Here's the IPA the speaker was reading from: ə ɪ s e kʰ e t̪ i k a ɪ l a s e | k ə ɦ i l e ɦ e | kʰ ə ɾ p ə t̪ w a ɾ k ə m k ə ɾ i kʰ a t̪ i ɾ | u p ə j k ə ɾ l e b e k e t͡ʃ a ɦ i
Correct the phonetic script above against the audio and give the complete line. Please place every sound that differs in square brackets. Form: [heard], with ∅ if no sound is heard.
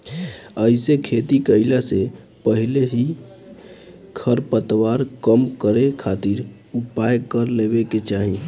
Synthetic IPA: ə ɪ s e kʰ e t̪ i k [ə] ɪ l a s e | [p] ə ɦ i l e ɦ [i] | kʰ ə ɾ p ə t̪ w a ɾ k ə m k ə ɾ [e] kʰ a t̪ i ɾ | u p [a] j k ə ɾ l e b e k e t͡ʃ a ɦ i

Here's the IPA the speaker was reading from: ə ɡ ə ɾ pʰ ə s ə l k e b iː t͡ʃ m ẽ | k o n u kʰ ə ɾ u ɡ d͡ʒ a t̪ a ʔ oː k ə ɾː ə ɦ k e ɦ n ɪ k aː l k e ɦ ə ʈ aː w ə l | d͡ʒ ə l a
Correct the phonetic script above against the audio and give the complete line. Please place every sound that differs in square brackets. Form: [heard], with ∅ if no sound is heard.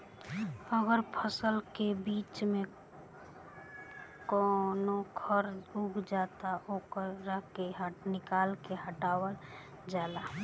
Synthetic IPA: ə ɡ ə ɾ pʰ ə s ə l k e b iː t͡ʃ m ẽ | k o n [o] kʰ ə ɾ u ɡ d͡ʒ a t̪ a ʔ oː k ə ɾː ə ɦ k e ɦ n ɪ k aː l k e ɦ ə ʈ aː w ə l | d͡ʒ [a] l a

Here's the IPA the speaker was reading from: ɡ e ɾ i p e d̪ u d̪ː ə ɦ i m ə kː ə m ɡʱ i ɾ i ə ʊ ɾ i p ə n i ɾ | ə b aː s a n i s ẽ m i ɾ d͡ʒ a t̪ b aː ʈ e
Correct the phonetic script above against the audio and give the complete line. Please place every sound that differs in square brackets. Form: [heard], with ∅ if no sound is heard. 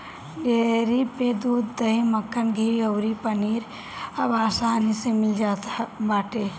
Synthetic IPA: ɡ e ɾ i p e d̪ u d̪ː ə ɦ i m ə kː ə [n] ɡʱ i ɾ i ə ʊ ɾ i p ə n i ɾ | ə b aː s a n i s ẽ m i [l] d͡ʒ a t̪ b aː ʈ e

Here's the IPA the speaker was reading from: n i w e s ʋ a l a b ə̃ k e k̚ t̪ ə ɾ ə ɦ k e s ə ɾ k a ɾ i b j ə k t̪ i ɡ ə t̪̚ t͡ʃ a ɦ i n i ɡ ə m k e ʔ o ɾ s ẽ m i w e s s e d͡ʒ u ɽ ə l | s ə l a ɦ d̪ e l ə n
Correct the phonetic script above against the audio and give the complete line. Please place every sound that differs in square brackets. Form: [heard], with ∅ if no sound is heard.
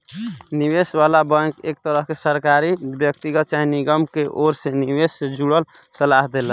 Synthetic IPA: n i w e s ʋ a l a b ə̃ k e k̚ t̪ ə ɾ ə ɦ k e s ə ɾ k a ɾ i b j ə k t̪ i ɡ ə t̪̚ t͡ʃ a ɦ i n i ɡ ə m k e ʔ o ɾ s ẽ [n] i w e s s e d͡ʒ u ɽ ə l | s ə l a ɦ d̪ e l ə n

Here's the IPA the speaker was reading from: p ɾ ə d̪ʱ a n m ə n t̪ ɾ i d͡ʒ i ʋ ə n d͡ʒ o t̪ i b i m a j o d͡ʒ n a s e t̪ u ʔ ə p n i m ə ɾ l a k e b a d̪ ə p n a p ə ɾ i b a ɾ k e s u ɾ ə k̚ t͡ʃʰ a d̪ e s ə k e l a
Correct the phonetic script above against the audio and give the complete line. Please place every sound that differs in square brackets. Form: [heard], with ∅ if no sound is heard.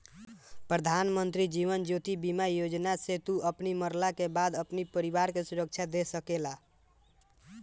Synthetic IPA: p ɾ ə d̪ʱ a n m ə n t̪ ɾ i d͡ʒ i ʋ ə n d͡ʒ o t̪ i b i m a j o d͡ʒ n a s e t̪ u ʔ ə p n i m ə ɾ l a k e b a d̪ ə p n [i] p ə ɾ i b a ɾ k e s u ɾ ə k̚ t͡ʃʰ a d̪ e s ə k e l a

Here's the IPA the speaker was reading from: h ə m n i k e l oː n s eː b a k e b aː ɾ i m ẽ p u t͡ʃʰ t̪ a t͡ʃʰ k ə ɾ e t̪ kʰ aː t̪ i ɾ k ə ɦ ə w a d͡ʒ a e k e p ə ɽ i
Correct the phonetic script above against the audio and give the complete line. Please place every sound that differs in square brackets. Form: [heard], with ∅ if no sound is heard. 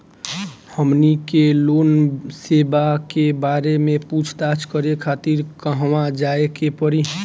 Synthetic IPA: h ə m n i k e l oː n s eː b a k e b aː ɾ [e] m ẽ p u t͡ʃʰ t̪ a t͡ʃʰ k ə ɾ e [∅] kʰ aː t̪ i ɾ k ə ɦ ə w a d͡ʒ a e k e p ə [ɾ] i

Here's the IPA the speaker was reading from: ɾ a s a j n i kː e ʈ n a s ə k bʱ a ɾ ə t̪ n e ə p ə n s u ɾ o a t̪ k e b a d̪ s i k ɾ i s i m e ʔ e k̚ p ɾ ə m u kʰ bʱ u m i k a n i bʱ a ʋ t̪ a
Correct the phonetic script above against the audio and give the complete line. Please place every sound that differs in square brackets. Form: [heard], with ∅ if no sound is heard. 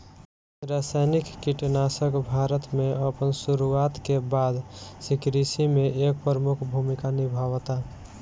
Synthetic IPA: ɾ a s a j n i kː [i] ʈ n a s ə k bʱ a ɾ ə t̪ [m] e ə p ə n s u ɾ [u] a t̪ k e b a d̪ s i k ɾ i s i m e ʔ e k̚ p ɾ ə m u kʰ bʱ u m i k a n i bʱ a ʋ t̪ a

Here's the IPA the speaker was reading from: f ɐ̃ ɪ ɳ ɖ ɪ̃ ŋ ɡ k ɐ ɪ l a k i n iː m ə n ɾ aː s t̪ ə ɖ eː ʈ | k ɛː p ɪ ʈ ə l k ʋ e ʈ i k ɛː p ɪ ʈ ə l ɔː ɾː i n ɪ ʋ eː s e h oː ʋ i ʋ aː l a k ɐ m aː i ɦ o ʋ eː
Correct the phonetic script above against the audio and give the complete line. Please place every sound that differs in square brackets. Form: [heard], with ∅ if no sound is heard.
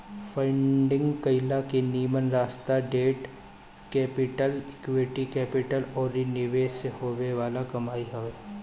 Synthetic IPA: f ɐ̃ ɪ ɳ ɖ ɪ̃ ŋ ɡ k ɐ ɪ l a k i n iː m ə n ɾ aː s t̪ [a] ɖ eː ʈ | k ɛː p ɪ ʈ ə l k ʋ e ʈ i k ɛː p ɪ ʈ ə l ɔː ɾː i n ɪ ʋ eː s e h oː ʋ [e] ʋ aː l a k ɐ m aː i ɦ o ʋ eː

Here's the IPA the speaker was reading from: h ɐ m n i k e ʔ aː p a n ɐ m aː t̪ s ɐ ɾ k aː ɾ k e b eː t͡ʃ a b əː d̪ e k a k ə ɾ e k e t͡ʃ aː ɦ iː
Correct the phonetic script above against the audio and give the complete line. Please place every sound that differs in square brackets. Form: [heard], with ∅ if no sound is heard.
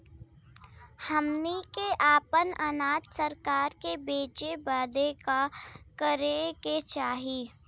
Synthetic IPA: h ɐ m n i k e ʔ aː p [ə] n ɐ [n] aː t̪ s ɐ ɾ k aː ɾ k e b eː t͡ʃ [e] b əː d̪ e k a k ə ɾ e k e t͡ʃ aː ɦ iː

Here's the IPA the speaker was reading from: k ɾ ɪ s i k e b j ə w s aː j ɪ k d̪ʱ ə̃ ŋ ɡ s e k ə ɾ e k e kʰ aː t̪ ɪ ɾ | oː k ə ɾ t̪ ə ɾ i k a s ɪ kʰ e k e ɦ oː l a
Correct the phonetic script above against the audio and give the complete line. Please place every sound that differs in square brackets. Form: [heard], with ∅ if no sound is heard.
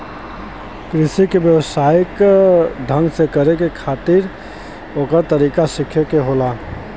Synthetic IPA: k ɾ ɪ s i k e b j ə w s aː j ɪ k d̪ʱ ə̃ ŋ ɡ s e k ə ɾ e k e kʰ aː t̪ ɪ ɾ | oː k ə ɾ t̪ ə ɾ i k a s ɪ kʰ e k e ɦ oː l a

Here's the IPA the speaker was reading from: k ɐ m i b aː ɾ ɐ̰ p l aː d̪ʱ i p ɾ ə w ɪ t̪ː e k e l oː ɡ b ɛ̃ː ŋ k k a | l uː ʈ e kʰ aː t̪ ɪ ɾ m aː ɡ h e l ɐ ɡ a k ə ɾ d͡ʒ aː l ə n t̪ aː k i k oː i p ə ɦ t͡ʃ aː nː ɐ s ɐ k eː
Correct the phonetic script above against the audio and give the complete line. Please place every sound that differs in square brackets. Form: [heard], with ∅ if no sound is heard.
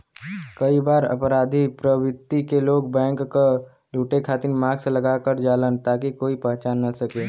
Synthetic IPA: k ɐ [∅] i b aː ɾ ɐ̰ p [ɾ] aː d̪ʱ i p ɾ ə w ɪ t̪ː [i] k e l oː ɡ b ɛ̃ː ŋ k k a | l uː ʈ e kʰ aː t̪ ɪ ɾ m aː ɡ [s] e l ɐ ɡ a k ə ɾ d͡ʒ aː l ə n t̪ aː k i k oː i p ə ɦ t͡ʃ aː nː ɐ s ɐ k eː

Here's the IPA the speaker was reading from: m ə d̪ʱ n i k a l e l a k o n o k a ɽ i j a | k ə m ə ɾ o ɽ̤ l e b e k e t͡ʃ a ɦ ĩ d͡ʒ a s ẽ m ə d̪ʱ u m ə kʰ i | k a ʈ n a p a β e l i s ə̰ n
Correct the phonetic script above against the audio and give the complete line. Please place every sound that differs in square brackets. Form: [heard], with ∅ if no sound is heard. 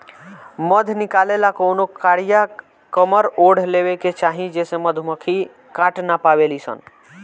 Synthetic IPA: m ə d̪ʱ n i k a l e l a k o n o k a ɽ i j a | k ə m ə ɾ o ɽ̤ l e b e k e t͡ʃ a ɦ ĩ d͡ʒ [e] s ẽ m ə d̪ʱ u m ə kʰ i | k a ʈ n a p a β e l i s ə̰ n

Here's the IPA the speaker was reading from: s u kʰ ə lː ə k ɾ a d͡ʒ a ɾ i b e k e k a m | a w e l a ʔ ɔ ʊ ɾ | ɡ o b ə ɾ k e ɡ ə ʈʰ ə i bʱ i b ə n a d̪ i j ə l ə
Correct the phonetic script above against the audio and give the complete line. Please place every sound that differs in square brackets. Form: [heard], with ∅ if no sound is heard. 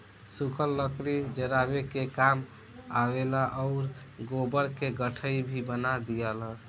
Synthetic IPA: s u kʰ ə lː ə k ɾ [i] d͡ʒ [ə] ɾ [a] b e k e k a m | a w e l a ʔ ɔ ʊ ɾ | ɡ o b ə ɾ k e ɡ ə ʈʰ ə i bʱ i b ə n a d̪ i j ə l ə

